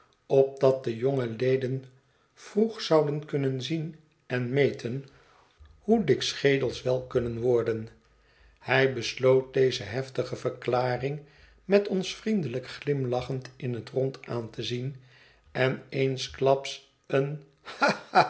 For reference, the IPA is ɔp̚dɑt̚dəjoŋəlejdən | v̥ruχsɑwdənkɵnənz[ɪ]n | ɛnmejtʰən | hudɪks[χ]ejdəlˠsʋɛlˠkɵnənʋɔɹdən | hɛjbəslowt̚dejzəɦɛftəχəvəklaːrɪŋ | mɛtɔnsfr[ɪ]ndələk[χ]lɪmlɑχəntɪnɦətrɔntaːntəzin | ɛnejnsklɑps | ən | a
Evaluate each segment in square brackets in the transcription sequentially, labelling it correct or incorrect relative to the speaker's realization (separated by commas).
incorrect, correct, incorrect, correct